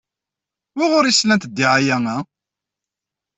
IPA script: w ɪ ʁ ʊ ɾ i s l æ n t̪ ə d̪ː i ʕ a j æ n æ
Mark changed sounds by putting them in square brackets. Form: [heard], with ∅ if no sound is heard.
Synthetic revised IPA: w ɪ ʁ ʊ ɾ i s l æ n t̪ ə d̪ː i ʕ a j æ [ŋ] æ